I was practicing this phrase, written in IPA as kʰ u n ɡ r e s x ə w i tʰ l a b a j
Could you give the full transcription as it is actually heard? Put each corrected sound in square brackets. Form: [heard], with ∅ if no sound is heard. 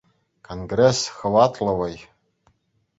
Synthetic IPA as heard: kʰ [o] n ɡ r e s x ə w [a] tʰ l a [w] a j

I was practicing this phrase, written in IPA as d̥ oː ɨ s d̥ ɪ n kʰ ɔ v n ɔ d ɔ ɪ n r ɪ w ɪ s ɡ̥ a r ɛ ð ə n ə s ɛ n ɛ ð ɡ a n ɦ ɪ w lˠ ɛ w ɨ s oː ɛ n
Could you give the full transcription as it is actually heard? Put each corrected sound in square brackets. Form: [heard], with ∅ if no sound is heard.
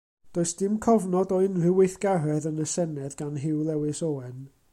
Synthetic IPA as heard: d̥ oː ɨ s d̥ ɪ [m] kʰ ɔ v n ɔ d ɔ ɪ n r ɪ w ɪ [θ] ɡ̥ a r ɛ ð ə n ə s ɛ n ɛ ð ɡ a n ɦ ɪ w lˠ ɛ w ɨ s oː ɛ n

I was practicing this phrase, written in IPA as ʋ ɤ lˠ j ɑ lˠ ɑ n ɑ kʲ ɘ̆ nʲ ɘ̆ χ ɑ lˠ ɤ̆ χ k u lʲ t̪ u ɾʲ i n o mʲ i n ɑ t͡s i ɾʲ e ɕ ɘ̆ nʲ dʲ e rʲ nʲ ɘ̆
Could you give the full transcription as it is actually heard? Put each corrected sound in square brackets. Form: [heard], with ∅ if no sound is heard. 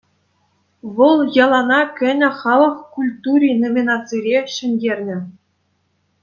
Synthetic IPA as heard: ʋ ɤ lˠ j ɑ lˠ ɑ n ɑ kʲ ɘ̆ nʲ ɘ̆ χ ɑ lˠ ɤ̆ χ k u lʲ t̪ u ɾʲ i n o mʲ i n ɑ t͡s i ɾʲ e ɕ ɘ̆ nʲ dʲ e rʲ nʲ ɘ̆

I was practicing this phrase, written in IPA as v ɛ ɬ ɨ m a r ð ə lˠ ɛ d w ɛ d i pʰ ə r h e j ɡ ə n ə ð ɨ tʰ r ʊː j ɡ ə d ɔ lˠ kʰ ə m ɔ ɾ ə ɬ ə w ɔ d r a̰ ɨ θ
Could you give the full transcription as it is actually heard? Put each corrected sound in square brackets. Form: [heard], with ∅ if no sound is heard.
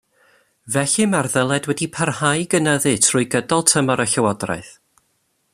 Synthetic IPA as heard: v ɛ ɬ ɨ m a r ð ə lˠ ɛ d w ɛ d i pʰ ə r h [a] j ɡ ə n ə ð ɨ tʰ r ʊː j ɡ ə d ɔ lˠ [tʰ] ə m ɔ ɾ ə ɬ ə w ɔ d r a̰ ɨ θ

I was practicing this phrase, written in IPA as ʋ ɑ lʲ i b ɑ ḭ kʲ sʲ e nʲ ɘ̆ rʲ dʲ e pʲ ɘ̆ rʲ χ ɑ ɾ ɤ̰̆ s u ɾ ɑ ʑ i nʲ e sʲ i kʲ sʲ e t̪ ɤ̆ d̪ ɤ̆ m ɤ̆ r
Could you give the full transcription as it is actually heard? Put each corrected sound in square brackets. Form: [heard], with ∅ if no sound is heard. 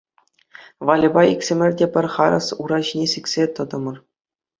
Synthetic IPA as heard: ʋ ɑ lʲ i b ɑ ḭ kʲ sʲ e [mʲ] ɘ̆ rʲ dʲ e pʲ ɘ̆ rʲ χ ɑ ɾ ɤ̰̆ s u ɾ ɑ ʑ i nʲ e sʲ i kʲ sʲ e t̪ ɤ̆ d̪ ɤ̆ m ɤ̆ r

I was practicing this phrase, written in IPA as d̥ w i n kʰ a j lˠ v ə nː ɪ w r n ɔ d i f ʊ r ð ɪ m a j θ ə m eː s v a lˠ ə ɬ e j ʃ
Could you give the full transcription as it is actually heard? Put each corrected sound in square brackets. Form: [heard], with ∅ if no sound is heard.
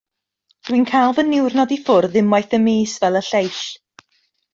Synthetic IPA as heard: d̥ w i n kʰ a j lˠ v ə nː ɪ w r n ɔ d i f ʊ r ð ɪ m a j θ ə m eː s v [ɛ] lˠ ə ɬ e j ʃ

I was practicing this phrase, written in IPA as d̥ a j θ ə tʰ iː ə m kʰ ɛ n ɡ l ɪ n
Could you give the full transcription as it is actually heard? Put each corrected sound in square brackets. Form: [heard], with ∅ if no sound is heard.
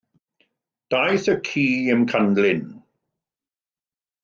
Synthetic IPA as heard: d̥ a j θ ə [kʰ] iː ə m kʰ [a] n [d] l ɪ n

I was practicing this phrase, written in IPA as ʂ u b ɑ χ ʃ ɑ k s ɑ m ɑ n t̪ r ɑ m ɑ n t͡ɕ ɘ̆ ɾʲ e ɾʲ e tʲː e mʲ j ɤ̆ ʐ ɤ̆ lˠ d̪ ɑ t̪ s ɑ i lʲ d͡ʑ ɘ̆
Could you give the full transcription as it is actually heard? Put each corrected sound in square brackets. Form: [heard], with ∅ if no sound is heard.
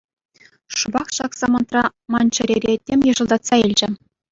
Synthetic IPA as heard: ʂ u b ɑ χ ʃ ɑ k s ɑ m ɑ n t̪ r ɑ m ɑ n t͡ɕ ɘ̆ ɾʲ e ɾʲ e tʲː e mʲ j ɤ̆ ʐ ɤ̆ lˠ d̪ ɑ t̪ s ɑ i lʲ d͡ʑ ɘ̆

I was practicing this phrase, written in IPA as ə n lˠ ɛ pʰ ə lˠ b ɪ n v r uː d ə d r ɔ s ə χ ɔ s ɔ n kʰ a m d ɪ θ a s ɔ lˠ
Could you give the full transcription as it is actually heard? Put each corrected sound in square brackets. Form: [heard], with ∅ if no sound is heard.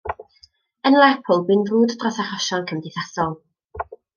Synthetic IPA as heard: ə n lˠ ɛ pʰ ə lˠ b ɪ n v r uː d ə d r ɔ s [a] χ ɔ [ʃ] ɔ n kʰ [ə] m d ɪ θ a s ɔ lˠ

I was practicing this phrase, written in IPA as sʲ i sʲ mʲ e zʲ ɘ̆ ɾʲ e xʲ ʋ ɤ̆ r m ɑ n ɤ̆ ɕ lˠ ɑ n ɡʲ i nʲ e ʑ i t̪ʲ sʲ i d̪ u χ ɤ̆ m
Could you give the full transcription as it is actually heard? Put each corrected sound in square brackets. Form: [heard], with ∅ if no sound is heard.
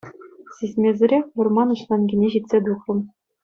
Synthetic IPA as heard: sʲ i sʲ mʲ e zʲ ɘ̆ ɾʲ e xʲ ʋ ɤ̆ r m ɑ n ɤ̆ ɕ lˠ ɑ n ɡʲ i nʲ e ʑ i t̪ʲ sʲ [e] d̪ u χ ɤ̆ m

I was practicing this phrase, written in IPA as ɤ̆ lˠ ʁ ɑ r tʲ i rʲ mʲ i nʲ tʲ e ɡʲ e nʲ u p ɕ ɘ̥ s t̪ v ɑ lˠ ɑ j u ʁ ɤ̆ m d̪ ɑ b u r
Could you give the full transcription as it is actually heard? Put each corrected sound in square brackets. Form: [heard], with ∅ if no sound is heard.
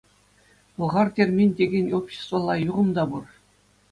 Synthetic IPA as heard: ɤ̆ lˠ ʁ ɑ r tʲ [e] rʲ mʲ i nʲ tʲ e ɡʲ e nʲ [o] p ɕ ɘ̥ s t̪ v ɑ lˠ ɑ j u ʁ ɤ̆ m d̪ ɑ b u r

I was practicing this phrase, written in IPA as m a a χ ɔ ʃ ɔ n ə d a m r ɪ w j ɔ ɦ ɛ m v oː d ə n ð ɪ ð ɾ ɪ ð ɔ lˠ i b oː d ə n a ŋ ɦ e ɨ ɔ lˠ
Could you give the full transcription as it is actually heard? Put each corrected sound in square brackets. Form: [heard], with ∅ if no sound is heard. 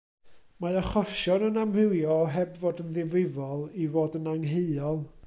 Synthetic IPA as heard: m a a χ ɔ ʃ ɔ n ə [n] a m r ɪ w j ɔ ɦ ɛ [b] v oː d ə n ð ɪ [v] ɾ ɪ [v] ɔ lˠ i [v] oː d ə n a ŋ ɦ e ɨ ɔ lˠ

